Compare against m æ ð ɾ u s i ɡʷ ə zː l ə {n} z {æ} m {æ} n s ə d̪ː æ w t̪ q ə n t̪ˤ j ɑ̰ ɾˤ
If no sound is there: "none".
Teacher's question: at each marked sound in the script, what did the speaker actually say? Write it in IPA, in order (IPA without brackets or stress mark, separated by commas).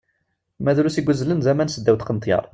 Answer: n, æ, æ